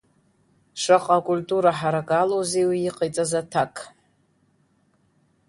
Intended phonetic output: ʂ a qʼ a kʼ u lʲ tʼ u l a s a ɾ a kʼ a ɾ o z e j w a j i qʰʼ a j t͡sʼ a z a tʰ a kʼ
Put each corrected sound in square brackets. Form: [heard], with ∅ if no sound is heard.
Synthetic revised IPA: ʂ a qʼ a kʼ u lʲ tʼ u [ɾ] a [ħ] a ɾ a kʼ a [l] o z e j w [i] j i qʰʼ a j t͡sʼ a z a tʰ a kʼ